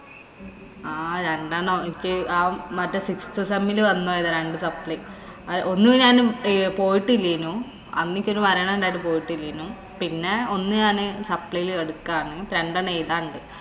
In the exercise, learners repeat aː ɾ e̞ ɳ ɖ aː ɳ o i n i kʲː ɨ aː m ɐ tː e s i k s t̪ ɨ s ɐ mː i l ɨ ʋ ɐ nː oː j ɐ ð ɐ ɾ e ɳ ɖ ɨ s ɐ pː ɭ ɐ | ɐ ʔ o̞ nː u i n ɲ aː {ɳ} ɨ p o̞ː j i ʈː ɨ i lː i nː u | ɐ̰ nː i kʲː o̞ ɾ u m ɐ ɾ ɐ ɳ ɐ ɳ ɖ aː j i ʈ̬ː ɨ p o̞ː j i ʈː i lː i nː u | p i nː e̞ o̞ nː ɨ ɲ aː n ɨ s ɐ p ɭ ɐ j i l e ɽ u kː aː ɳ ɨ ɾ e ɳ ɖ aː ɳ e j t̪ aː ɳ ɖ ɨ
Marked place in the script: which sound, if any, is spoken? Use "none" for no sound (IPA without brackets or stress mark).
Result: n